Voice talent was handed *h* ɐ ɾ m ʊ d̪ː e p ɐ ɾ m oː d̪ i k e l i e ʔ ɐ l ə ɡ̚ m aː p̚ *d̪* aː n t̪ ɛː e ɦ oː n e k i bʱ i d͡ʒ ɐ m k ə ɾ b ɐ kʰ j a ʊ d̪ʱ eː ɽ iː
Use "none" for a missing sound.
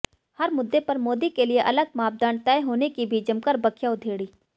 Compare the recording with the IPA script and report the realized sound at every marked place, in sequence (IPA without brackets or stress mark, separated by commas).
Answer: h, d̪